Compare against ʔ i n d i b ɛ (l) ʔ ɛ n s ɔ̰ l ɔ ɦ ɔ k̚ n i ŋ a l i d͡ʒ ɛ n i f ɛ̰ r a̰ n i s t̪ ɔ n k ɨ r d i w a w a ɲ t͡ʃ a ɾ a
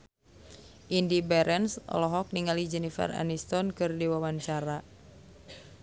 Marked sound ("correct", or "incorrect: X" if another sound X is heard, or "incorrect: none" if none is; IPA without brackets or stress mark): incorrect: ɾ